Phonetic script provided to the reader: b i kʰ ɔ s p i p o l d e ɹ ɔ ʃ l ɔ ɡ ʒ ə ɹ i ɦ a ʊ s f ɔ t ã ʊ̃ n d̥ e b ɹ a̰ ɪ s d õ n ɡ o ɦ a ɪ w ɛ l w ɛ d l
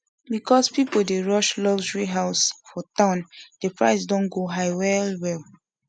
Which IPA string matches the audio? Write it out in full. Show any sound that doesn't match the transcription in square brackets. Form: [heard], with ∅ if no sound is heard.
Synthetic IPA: b i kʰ ɔ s p i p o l d e ɹ ɔ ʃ l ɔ ɡ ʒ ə ɹ i ɦ a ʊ s f ɔ t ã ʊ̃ n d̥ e [p] ɹ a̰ ɪ s d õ n ɡ o ɦ a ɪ w ɛ l w ɛ [∅] l